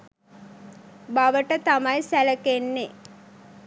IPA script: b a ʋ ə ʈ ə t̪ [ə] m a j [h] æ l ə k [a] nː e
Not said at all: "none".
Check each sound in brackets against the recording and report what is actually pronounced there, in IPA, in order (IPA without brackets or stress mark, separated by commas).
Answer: a, s, e